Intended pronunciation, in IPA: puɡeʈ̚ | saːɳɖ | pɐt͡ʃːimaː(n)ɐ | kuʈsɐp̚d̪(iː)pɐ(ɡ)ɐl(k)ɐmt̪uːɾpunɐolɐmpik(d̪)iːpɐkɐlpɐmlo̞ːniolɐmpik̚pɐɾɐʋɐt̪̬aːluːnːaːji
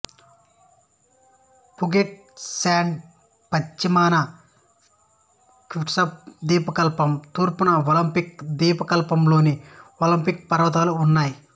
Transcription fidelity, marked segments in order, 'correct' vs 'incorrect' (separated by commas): correct, correct, incorrect, incorrect, correct